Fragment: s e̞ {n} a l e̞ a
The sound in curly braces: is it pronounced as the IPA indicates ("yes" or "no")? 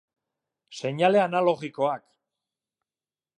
no